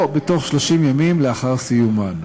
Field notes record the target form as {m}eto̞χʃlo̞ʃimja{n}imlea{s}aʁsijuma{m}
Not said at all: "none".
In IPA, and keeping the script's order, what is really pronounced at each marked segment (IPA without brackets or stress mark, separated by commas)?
b, m, χ, n